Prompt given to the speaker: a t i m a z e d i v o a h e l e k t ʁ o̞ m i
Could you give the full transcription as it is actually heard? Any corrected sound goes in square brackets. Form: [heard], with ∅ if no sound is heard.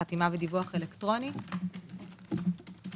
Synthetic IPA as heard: a t i m a [v] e d i v [u] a [χ] e l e k t ʁ o̞ [n] i